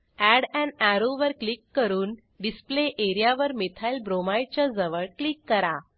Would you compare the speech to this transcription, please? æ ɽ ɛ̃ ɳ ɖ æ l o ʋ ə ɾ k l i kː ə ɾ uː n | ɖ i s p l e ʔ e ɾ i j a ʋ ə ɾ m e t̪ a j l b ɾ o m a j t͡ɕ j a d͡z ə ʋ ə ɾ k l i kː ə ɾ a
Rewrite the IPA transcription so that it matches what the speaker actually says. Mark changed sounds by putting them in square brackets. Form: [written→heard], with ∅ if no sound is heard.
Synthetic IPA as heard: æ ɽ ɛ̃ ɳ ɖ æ [l→ɾ] o ʋ ə ɾ k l i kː ə ɾ uː n | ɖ i s p l e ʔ e ɾ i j a ʋ ə ɾ m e [t̪→t̪ʰ] a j l b ɾ o m a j t͡ɕ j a d͡z ə ʋ ə [ɾ→ɭ] k l i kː ə ɾ a